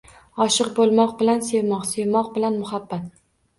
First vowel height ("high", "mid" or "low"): low